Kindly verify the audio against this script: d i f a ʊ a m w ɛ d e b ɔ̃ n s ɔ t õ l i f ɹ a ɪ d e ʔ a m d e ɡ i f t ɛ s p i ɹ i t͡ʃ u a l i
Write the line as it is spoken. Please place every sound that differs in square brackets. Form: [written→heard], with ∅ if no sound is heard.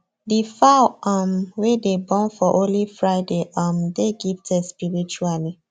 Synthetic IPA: d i f a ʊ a m w [ɛ→e] d e b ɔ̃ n [s→f] ɔ [t→ʔ] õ l i f ɹ a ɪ d e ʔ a m d e ɡ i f t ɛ s p i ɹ i t͡ʃ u a l i